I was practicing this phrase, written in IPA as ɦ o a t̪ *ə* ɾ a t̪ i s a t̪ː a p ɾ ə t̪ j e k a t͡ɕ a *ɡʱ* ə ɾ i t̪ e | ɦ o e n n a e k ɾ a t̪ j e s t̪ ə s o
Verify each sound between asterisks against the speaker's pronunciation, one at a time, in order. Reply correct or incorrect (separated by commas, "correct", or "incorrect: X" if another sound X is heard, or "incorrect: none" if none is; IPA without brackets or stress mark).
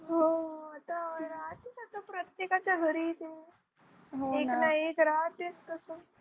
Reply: incorrect: a, correct